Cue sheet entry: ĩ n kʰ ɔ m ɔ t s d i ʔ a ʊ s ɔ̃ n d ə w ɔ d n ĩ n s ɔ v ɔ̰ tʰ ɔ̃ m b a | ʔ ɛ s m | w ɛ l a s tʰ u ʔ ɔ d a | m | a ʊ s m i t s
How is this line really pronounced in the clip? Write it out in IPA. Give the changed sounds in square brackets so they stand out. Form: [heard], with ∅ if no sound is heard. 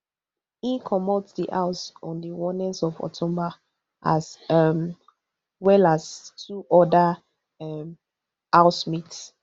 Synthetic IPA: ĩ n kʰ ɔ m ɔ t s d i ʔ a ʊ s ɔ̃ n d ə w ɔ [∅] n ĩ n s ɔ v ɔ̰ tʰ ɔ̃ m b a | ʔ [a] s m | w ɛ l a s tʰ u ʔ ɔ d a | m | a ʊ s m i t s